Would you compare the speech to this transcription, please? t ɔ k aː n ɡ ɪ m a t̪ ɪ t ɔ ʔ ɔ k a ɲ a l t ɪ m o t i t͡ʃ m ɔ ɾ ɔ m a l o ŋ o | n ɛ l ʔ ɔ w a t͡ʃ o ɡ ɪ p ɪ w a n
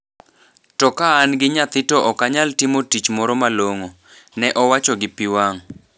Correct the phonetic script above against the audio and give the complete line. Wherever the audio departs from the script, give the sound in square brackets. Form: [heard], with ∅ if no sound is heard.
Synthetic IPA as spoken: t ɔ k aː n ɡ ɪ [ɲ] a t̪ ɪ t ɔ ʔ ɔ k a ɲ a l t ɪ m o t i t͡ʃ m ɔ ɾ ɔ m a l o ŋ o | n ɛ [∅] ʔ ɔ w a t͡ʃ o ɡ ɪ p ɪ w a [ŋ]